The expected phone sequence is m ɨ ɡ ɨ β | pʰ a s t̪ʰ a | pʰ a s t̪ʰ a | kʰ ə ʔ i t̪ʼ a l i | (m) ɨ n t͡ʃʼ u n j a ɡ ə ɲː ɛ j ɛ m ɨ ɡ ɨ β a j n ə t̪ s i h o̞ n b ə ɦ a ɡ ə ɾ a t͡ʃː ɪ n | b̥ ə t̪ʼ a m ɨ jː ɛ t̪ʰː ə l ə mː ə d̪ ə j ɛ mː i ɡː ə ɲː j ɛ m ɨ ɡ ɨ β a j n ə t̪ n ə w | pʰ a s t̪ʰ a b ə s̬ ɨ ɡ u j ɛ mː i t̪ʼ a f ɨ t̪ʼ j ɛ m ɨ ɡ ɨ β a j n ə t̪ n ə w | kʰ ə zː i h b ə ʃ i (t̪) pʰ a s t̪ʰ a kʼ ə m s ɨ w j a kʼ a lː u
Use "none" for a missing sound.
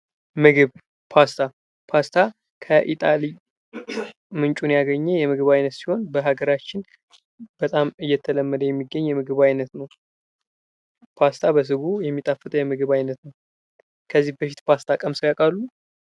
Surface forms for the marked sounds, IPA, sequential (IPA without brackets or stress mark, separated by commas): m, t̪